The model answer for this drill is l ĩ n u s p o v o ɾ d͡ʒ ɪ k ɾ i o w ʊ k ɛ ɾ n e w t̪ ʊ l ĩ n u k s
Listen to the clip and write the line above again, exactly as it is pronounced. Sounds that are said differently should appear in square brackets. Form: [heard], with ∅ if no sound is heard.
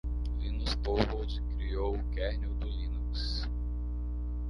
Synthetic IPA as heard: l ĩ n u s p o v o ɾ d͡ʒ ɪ k ɾ i o w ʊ k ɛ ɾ n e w [d̪] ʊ l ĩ n u k s